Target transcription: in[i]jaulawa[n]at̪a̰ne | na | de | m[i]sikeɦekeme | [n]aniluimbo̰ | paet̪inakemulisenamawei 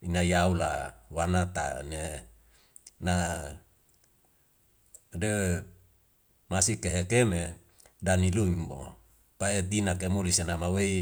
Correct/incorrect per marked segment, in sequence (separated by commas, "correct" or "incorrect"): incorrect, correct, incorrect, incorrect